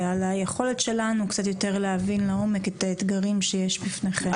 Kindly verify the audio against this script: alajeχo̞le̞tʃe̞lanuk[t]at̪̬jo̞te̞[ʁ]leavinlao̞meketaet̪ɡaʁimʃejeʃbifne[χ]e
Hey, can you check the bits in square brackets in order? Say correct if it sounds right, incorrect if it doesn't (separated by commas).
incorrect, correct, correct